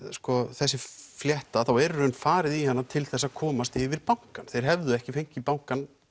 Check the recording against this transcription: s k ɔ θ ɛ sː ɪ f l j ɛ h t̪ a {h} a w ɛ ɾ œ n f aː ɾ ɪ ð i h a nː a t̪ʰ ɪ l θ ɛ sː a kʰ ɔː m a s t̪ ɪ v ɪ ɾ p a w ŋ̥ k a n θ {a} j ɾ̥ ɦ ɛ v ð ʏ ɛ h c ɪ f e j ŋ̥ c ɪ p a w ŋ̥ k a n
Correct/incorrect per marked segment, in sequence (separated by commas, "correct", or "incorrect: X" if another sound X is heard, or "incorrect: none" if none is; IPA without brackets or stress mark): incorrect: θ, incorrect: e